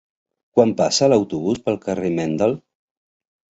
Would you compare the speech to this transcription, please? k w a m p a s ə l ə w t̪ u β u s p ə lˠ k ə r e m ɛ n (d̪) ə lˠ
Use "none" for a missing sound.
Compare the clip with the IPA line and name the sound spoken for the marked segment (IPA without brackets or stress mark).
d̪